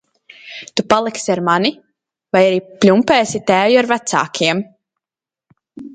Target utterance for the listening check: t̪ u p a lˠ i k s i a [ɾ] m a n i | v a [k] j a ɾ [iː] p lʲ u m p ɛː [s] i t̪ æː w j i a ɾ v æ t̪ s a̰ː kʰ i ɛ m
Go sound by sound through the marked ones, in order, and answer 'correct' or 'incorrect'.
correct, incorrect: none, correct, correct

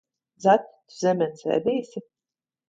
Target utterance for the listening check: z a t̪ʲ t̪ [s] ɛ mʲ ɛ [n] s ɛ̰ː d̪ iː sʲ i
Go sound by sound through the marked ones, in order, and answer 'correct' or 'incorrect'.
incorrect: z, correct

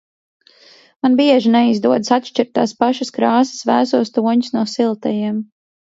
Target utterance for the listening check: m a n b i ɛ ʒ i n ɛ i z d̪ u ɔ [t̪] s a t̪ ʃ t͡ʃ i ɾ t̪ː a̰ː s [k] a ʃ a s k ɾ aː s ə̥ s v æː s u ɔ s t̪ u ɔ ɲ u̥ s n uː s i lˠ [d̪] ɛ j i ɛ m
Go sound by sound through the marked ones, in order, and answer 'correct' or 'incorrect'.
incorrect: d̪, incorrect: p, incorrect: t̪

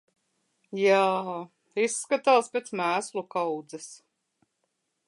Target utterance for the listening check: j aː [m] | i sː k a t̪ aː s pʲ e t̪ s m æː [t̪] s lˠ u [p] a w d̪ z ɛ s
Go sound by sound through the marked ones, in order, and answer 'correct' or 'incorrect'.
incorrect: none, incorrect: none, incorrect: k

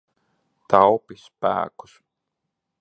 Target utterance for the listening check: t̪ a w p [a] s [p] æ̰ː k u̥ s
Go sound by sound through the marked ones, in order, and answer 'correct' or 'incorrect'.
incorrect: i, correct

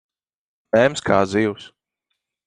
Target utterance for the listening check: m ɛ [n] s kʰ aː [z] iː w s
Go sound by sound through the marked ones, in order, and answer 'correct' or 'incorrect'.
incorrect: m, correct

